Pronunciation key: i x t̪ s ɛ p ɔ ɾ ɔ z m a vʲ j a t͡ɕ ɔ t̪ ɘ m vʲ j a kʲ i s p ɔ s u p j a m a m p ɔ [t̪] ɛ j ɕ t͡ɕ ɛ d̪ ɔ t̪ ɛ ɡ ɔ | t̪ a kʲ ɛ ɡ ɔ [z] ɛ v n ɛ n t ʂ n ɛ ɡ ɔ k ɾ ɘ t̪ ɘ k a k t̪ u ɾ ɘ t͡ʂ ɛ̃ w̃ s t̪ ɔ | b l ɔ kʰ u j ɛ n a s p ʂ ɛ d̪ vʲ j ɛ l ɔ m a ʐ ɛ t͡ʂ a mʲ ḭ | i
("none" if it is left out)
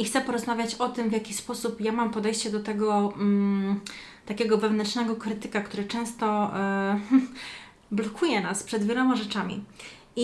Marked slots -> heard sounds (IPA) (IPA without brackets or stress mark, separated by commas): d̪, v